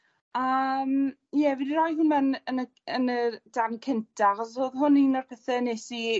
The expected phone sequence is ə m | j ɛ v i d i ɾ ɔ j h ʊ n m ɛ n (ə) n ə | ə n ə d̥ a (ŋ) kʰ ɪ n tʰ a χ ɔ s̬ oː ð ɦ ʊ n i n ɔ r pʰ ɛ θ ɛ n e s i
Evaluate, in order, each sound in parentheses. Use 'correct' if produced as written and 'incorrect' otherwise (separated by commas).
correct, incorrect